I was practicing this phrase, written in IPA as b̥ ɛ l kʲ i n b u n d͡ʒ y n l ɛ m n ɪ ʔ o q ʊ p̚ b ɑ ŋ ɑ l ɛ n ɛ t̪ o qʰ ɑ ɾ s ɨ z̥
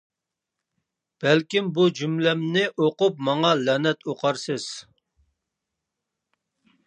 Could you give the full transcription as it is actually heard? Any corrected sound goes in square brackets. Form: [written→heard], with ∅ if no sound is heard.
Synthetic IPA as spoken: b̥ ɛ l kʲ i [n→m] b u [n→∅] d͡ʒ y [n→m] l ɛ m n ɪ ʔ o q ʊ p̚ [b→m] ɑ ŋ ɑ l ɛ n ɛ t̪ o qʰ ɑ ɾ s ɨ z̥